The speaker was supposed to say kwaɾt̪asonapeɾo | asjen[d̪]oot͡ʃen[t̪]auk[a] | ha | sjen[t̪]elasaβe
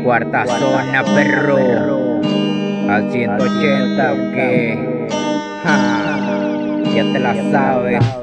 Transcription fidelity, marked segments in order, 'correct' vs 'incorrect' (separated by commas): incorrect, correct, incorrect, correct